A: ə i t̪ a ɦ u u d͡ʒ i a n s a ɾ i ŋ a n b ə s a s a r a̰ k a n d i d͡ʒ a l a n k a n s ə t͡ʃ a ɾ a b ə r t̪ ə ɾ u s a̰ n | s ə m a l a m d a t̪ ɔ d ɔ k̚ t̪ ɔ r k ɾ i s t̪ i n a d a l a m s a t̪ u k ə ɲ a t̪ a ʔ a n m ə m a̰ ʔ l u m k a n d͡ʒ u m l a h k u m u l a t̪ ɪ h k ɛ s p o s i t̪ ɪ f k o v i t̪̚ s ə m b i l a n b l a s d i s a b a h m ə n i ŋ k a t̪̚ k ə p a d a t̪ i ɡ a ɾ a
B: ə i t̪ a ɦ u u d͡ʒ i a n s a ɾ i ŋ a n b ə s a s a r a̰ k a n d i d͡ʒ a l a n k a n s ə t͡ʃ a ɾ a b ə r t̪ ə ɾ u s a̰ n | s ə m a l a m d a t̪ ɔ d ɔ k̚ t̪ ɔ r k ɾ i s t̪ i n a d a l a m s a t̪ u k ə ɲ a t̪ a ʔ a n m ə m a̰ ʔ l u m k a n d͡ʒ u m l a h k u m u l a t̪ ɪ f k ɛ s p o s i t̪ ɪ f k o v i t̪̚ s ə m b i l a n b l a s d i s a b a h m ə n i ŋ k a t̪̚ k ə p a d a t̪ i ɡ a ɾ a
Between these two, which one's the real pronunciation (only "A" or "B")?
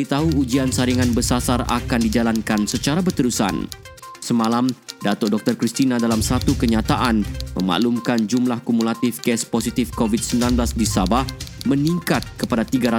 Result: B